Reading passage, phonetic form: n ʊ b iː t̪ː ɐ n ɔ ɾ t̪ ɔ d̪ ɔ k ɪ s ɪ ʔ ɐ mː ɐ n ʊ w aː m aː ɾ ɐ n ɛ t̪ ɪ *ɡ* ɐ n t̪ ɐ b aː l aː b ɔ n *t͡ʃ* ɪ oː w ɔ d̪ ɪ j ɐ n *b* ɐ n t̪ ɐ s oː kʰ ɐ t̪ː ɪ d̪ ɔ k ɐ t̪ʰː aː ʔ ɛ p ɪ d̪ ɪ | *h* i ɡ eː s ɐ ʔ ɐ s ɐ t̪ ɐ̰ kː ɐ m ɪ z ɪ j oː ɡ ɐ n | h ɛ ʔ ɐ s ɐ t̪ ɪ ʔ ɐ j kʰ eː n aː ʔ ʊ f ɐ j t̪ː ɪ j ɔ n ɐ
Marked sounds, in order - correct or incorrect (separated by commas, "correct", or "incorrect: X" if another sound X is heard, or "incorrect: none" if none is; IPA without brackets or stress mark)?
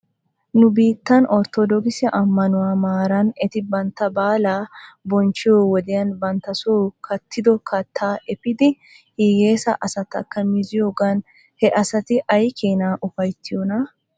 incorrect: b, correct, correct, correct